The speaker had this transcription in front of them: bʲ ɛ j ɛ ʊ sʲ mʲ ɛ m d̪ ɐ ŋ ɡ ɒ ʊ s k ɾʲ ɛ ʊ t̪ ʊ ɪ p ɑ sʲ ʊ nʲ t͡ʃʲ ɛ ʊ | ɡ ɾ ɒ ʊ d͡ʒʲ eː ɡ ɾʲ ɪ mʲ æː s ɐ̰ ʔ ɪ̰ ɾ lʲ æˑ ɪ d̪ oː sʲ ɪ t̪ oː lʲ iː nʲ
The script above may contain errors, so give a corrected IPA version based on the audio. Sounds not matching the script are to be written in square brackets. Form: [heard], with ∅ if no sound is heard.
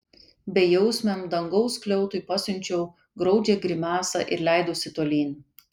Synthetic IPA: bʲ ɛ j ɛ ʊ sʲ mʲ ɛ m d̪ ɐ ŋ ɡ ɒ ʊ s k [lʲ] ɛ ʊ t̪ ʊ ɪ p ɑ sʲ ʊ nʲ t͡ʃʲ ɛ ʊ | ɡ ɾ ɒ ʊ d͡ʒʲ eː ɡ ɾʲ ɪ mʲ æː s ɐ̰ ʔ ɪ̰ ɾ lʲ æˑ ɪ d̪ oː sʲ ɪ t̪ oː lʲ iː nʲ